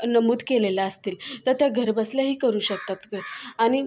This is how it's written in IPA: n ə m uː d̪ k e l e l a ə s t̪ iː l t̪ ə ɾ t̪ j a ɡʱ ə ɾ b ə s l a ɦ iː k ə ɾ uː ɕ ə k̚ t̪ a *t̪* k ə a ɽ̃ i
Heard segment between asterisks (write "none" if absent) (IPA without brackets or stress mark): t̪